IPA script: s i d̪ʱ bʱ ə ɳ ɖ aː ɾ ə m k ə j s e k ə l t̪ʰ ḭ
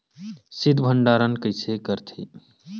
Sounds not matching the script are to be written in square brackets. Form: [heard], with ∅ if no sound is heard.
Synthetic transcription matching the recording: s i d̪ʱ bʱ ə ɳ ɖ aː ɾ ə [n] k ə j s e k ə [ɾ] t̪ʰ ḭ